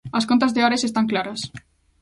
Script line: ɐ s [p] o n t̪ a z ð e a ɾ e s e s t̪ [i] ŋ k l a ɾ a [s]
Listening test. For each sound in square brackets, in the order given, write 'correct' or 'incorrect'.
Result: incorrect, incorrect, correct

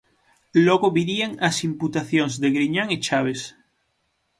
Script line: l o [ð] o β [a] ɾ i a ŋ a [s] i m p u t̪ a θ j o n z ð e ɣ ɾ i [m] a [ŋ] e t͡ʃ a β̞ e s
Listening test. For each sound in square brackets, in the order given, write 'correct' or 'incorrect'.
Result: incorrect, incorrect, correct, incorrect, correct

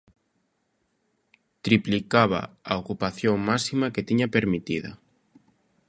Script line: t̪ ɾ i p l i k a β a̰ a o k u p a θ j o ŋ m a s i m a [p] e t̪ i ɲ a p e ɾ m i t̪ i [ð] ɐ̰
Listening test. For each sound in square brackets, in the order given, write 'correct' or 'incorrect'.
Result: incorrect, correct

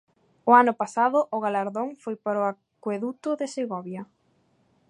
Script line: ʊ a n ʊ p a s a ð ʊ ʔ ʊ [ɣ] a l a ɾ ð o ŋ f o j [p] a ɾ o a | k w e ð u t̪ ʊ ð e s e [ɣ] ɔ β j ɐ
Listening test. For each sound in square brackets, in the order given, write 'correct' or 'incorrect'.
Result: correct, correct, correct

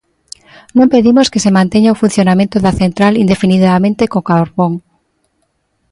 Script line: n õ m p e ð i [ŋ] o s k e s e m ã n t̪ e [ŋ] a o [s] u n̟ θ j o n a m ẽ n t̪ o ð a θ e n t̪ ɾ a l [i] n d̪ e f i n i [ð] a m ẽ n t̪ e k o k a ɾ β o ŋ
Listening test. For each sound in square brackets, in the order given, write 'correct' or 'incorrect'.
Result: incorrect, incorrect, incorrect, correct, correct

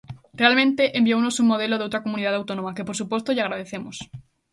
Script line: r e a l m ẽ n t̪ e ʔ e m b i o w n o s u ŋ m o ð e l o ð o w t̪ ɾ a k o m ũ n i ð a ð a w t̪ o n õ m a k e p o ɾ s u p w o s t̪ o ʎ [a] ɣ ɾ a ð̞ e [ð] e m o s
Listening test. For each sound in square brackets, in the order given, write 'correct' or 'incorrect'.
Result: correct, incorrect

